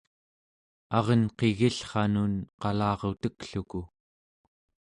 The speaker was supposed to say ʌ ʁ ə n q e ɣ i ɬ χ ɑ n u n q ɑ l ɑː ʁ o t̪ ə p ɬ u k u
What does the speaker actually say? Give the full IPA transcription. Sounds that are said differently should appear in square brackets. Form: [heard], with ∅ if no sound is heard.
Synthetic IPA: [ɑ] ʁ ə n q e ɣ i ɬ χ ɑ n u n q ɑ l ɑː ʁ o t̪ ə [k] ɬ u k u